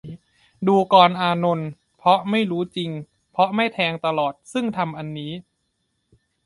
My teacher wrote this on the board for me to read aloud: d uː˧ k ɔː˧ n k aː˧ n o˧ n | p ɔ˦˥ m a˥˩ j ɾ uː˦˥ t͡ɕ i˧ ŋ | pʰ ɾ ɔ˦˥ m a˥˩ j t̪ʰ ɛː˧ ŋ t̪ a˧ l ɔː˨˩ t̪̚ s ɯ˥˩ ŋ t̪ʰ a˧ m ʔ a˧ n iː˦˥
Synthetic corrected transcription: d uː˧ k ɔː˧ n ʔ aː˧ n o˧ n | pʰ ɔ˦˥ m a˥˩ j ɾ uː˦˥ t͡ɕ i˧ ŋ | pʰ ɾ ɔ˦˥ m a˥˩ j t̪ʰ ɛː˧ ŋ t̪ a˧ l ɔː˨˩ t̪̚ s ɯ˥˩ ŋ t̪ʰ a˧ m ʔ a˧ nː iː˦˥